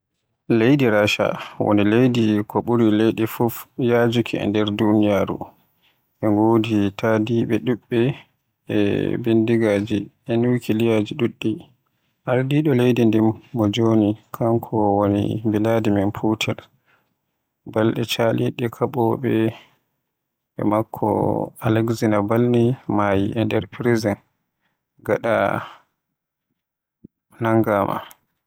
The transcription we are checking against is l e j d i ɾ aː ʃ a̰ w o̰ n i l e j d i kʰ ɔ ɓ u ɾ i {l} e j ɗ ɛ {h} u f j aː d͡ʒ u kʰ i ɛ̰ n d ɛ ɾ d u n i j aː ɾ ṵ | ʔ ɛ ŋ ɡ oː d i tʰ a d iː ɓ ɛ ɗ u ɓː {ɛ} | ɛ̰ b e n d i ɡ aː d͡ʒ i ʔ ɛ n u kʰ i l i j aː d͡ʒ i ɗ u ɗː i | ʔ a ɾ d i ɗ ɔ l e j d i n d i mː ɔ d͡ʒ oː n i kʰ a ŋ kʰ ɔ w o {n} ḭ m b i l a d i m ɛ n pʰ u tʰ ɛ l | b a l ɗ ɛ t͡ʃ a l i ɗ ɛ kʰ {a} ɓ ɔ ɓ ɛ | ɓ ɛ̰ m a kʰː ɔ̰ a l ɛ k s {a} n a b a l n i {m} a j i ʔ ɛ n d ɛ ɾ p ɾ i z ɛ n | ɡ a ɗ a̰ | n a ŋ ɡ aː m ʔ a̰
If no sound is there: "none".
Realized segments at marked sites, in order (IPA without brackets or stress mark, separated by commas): l, f, ɛ, n, a, i, m